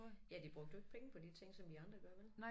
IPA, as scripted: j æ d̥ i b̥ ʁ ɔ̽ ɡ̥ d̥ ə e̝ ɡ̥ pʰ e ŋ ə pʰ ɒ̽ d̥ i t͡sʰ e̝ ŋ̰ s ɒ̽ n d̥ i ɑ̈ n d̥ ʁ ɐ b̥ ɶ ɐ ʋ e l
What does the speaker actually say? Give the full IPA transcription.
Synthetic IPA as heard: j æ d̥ i b̥ ʁ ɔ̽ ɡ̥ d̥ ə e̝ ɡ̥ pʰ e ŋ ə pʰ ɒ̽ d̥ i t͡sʰ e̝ ŋ̰ s ɒ̽ m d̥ i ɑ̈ n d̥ ʁ ɐ ɡ̥ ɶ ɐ ʋ e l